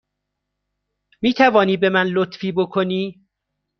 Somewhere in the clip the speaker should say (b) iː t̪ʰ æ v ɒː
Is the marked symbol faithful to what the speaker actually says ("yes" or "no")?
no